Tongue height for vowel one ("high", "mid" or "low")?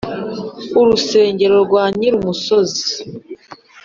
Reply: high